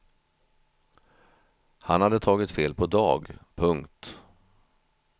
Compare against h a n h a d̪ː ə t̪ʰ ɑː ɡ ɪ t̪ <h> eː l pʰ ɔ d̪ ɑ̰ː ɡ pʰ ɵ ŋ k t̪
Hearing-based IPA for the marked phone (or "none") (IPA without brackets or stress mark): f